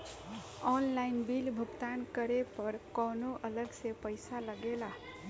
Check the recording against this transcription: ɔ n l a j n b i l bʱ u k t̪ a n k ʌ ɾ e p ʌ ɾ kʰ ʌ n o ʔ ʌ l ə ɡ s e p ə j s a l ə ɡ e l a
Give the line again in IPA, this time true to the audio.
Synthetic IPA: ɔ n l a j n b i l bʱ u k t̪ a n k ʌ ɾ e p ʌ ɾ k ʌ n o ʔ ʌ l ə ɡ s e p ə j s a l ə ɡ e l a